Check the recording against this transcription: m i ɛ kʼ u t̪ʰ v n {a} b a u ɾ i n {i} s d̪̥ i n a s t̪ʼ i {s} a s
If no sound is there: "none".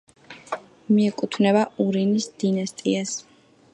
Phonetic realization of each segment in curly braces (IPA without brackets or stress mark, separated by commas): ɛ, i, none